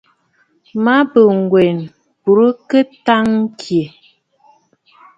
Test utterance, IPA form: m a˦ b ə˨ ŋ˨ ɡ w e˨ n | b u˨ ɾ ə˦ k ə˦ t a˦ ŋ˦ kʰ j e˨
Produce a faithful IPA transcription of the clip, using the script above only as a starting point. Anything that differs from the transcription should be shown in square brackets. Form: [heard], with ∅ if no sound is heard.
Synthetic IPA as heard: m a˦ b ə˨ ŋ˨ ɡ w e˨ n | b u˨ ɾ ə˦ k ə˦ t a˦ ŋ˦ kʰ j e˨